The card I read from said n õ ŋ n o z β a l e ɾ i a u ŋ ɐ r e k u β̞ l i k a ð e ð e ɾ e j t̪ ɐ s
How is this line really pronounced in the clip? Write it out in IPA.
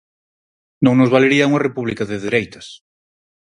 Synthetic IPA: n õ ŋ n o z β a l e ɾ i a u ŋ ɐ r e p u β̞ l i k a ð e ð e ɾ e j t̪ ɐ s